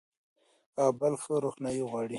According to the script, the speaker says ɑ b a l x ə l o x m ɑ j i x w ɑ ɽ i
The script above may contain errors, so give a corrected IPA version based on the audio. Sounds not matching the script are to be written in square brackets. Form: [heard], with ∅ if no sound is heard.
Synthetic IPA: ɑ b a l x ə [ɾ] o x [n] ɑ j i [ɣ] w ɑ ɽ i